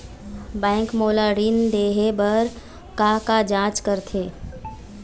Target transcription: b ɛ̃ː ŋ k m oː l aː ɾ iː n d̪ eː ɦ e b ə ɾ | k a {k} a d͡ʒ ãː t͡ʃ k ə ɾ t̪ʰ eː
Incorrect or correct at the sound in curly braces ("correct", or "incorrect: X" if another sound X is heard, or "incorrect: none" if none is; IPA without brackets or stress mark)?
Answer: correct